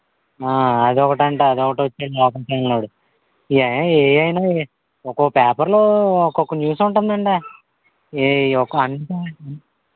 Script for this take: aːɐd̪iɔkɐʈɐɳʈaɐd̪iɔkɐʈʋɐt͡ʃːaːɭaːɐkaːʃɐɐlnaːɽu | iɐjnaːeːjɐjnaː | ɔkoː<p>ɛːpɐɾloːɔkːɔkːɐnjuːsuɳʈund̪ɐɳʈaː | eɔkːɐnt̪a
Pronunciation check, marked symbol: correct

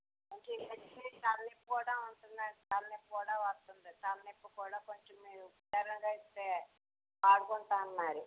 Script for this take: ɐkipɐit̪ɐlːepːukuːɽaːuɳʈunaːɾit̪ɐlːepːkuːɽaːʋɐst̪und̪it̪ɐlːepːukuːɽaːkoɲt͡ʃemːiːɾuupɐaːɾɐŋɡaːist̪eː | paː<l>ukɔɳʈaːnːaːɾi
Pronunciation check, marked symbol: incorrect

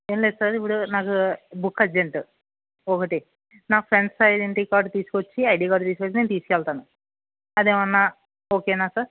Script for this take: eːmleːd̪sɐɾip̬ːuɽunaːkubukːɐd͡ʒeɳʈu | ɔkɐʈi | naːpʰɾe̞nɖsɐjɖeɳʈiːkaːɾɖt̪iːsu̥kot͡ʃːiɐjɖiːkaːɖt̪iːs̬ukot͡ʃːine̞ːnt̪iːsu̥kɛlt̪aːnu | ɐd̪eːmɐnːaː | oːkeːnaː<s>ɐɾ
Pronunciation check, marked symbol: correct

